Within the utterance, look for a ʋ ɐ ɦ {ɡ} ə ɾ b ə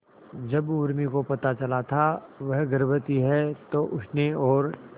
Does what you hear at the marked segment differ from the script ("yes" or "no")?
no